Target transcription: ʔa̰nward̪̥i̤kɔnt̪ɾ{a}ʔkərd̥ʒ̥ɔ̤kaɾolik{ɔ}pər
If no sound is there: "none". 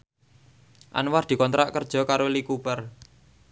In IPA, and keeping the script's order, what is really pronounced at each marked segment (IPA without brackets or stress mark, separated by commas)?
a, u